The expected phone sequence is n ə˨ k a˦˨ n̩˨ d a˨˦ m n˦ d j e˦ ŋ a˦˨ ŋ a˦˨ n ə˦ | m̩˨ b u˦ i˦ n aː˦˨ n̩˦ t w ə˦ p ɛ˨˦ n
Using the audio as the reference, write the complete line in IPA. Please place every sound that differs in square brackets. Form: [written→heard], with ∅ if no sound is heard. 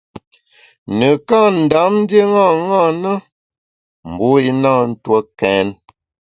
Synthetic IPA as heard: n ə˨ k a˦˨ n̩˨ d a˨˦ m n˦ d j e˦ ŋ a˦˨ ŋ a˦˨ n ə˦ | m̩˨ b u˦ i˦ n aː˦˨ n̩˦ t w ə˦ [p→k] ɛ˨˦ n